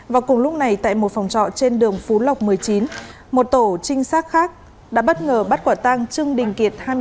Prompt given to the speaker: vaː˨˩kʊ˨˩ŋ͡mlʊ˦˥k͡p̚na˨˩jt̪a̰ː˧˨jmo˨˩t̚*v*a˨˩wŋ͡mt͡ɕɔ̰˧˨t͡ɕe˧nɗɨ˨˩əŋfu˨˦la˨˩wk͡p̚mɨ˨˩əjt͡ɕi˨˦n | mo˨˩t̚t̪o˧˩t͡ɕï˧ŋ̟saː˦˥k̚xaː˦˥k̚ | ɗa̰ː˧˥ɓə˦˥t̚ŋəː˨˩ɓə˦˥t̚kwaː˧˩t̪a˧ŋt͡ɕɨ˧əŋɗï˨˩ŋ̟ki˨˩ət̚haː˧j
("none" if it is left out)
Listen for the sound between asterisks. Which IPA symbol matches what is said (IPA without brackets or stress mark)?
f